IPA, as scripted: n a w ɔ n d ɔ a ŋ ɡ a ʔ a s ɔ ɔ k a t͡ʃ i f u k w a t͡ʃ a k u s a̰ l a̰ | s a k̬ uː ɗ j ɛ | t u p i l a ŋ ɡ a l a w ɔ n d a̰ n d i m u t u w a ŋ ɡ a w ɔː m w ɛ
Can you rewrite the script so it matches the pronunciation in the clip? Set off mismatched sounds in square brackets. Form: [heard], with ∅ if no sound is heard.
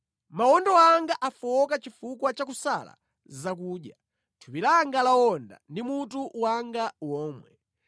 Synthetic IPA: [m] a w ɔ n d ɔ a ŋ ɡ a ʔ a [f] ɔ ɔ k a t͡ʃ i f u k w a t͡ʃ a k u s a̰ l a̰ | [z] a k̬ uː ɗ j [a] | [tʰ] u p i l a ŋ ɡ a l a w ɔ n d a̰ n d i m u t u w a ŋ ɡ a w ɔː m w ɛ